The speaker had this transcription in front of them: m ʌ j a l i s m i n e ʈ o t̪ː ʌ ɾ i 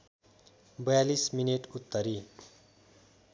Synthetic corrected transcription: b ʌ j a l i s m i n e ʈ u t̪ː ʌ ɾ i